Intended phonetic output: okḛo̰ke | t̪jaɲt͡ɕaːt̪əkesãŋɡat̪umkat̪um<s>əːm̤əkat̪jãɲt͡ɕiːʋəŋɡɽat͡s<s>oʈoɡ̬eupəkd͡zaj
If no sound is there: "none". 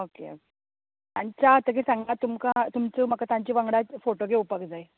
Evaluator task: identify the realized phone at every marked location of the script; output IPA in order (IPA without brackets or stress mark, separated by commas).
t͡s, f